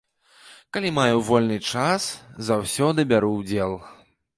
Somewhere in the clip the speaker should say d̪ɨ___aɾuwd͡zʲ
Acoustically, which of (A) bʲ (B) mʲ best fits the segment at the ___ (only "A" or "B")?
A